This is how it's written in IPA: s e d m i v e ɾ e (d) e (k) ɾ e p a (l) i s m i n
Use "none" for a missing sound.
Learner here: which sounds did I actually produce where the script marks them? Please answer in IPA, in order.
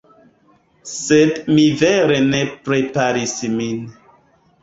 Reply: n, p, ɾ

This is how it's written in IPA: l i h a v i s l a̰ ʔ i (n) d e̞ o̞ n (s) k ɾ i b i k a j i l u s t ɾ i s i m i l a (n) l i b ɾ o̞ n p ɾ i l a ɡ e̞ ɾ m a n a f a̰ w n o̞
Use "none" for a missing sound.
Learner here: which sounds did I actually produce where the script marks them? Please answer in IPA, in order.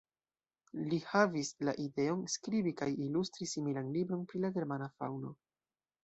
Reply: none, s, n

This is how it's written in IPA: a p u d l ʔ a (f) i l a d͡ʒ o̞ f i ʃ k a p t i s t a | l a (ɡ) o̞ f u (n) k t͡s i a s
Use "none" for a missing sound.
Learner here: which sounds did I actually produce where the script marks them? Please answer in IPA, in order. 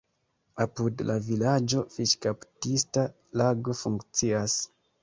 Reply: v, ɡ, ŋ

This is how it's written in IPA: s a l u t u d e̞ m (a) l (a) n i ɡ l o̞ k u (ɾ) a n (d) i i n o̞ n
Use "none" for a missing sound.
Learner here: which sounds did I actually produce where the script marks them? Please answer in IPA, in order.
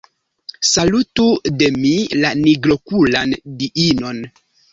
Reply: i, a, l, d

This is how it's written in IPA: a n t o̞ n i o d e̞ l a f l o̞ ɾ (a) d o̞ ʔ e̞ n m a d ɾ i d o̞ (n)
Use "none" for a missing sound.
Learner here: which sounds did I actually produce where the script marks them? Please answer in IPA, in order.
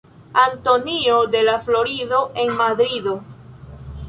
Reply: i, none

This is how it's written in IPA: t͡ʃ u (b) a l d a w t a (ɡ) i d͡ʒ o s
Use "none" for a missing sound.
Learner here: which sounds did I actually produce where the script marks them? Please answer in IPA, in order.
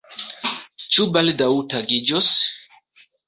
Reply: b, ɡ

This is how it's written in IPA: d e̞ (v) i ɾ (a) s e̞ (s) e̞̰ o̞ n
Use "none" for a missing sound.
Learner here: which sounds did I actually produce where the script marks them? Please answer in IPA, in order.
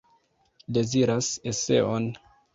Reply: z, a, s

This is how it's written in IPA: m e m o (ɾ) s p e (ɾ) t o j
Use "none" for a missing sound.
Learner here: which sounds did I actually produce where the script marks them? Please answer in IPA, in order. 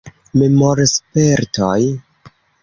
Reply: ɾ, ɾ

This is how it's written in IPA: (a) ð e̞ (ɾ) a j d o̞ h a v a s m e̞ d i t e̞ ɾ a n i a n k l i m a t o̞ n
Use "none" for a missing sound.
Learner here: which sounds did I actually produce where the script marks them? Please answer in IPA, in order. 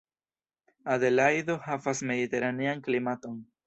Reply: a, l

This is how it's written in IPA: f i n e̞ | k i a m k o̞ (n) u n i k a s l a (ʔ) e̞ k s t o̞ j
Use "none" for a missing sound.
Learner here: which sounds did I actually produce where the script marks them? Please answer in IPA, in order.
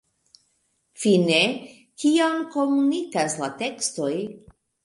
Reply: m, t

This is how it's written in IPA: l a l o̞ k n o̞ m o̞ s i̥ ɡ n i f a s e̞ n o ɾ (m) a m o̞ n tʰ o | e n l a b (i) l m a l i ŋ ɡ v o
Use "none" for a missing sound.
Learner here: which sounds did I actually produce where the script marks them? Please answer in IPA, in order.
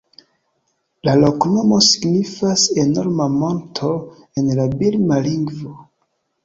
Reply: m, i

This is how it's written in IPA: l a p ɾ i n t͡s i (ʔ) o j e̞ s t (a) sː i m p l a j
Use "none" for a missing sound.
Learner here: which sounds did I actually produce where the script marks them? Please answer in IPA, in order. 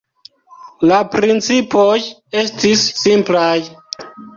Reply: p, i

